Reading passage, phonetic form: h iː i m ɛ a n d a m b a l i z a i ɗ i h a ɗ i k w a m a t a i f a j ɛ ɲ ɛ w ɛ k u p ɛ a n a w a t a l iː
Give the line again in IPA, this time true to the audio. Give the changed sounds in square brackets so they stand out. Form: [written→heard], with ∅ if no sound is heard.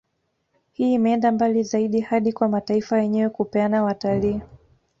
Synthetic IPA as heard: h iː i m ɛ [a→ɛ] n d a m b a l i z a i ɗ i h a ɗ i k w a m a t a i f a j ɛ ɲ ɛ w ɛ k u p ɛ a n a w a t a l iː

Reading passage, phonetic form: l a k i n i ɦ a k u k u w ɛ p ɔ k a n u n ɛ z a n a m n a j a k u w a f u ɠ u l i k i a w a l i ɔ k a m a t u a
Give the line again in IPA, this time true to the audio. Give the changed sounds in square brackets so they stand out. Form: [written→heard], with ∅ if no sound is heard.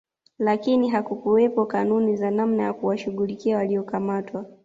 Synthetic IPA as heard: l a k i n i ɦ a k u k u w ɛ p ɔ k a n u n [ɛ→i] z a n a m n a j a k u w a [f→ʃ] u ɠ u l i k i a w a l i ɔ k a m a t [u→w] a

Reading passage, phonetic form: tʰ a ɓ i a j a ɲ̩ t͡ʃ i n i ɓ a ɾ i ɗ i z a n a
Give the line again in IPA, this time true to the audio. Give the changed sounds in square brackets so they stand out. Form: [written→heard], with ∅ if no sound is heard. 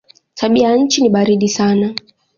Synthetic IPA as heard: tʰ a ɓ i a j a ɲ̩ t͡ʃ i n i ɓ a ɾ i ɗ i [z→s] a n a

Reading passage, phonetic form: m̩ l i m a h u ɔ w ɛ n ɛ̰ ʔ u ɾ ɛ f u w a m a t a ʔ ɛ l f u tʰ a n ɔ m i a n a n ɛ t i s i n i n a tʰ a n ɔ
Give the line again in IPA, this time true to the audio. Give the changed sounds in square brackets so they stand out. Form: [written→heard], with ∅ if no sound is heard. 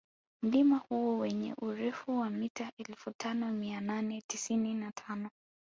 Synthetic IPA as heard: m̩ l i m a h u ɔ w ɛ [n→ɲ] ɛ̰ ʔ u ɾ ɛ f u w a m [a→i] t a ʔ ɛ l f u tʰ a n ɔ m i a n a n ɛ t i s i n i n a tʰ a n ɔ

